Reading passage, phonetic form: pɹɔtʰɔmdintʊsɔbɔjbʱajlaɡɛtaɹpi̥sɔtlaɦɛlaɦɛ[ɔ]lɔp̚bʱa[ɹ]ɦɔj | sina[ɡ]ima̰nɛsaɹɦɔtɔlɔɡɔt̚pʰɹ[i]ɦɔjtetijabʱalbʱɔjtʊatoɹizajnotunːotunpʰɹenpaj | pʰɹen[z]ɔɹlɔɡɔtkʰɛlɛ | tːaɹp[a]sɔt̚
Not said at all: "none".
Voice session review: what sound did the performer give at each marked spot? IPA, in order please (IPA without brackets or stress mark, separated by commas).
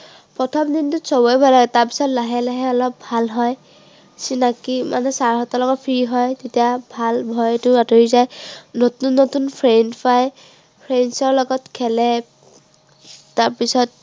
ɔ, l, k, i, s, i